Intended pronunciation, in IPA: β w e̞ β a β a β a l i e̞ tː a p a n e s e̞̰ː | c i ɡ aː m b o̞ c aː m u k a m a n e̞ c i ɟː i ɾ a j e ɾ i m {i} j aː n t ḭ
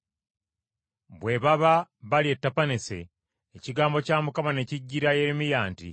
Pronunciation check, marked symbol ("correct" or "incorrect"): correct